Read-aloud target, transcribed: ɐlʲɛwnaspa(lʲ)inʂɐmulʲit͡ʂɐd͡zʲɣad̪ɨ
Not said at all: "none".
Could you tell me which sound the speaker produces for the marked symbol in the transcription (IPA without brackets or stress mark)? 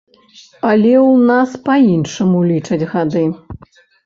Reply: none